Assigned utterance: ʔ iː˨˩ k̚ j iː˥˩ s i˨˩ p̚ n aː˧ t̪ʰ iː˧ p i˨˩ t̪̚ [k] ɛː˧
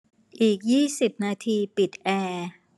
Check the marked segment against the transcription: incorrect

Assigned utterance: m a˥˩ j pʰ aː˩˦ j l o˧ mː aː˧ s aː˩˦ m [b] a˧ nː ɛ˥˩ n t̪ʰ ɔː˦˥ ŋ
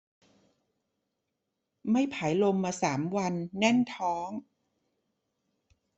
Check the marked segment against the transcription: incorrect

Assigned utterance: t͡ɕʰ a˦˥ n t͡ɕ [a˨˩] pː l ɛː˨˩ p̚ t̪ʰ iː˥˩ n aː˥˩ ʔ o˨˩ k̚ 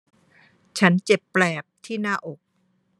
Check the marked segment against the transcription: incorrect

